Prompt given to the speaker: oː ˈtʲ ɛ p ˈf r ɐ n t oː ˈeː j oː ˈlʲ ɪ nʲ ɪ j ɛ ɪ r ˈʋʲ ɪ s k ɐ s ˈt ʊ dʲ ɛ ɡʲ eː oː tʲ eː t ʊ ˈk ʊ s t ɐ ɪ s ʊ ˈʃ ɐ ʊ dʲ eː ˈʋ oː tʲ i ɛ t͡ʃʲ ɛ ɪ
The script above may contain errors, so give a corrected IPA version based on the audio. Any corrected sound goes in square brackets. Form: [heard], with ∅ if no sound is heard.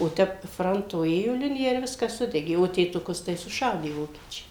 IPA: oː ˈtʲ ɛ p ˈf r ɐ n t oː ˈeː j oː ˈlʲ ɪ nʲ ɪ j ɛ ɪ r ˈʋʲ ɪ s k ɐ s [ˈs] ʊ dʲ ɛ ɡʲ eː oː tʲ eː t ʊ ˈk ʊ s t ɐ ɪ s ʊ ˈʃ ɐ ʊ dʲ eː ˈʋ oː [kʲ] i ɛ t͡ʃʲ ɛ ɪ